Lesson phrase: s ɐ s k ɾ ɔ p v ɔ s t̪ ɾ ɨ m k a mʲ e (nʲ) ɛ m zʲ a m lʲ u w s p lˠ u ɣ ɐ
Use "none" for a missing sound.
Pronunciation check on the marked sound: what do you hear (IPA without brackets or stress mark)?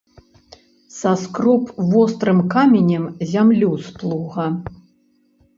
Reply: nʲ